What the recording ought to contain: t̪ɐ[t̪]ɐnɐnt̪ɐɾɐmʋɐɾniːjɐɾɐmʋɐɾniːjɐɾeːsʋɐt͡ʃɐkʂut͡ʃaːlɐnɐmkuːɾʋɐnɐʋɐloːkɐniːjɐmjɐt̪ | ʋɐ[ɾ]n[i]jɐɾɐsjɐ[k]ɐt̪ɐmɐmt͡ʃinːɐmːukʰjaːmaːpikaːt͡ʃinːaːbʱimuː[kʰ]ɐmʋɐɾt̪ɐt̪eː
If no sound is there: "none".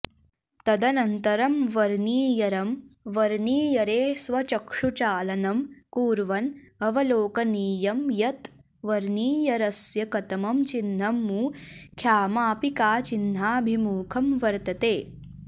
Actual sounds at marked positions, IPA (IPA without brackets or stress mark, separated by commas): d̪, ɾ, iː, k, kʰ